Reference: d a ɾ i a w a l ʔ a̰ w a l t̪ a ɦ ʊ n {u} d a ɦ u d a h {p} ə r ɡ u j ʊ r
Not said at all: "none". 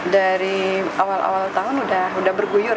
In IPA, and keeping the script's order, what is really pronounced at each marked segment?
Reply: u, b

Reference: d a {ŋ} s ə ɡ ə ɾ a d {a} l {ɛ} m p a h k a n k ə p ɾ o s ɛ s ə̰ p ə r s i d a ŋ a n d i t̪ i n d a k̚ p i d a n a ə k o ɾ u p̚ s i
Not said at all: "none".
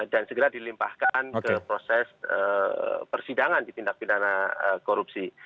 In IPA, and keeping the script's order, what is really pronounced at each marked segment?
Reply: n, i, i

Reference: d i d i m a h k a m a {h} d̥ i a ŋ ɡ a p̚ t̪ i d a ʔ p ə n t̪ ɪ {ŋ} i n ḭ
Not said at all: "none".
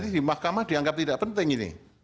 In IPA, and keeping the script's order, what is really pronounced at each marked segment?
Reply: h, ŋ

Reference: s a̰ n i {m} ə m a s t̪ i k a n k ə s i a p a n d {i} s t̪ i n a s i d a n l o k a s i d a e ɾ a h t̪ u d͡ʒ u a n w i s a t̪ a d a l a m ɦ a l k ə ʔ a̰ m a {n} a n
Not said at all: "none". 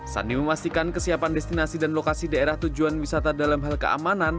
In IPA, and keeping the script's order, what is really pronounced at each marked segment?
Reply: m, ɛ, n

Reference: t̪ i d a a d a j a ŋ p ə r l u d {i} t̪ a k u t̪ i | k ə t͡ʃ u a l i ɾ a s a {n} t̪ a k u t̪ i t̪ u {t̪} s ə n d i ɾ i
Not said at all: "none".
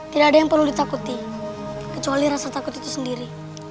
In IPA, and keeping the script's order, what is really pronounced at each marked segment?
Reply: i, none, none

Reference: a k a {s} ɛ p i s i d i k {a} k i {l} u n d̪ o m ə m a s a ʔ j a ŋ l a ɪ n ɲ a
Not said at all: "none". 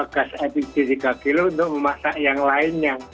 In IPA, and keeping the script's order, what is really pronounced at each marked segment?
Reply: s, a, l

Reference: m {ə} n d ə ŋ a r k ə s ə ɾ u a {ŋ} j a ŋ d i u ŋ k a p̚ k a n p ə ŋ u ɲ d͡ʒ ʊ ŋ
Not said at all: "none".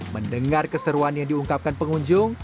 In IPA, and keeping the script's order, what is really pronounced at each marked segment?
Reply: ə, n

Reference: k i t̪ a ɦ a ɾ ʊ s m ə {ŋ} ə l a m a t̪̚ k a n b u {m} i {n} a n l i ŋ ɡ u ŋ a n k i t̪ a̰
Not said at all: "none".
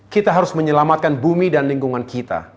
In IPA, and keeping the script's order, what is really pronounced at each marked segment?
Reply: ɲ, m, d

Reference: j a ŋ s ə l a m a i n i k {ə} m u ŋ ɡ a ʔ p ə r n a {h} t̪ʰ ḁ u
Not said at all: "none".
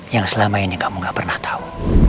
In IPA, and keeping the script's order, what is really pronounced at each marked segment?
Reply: a, h

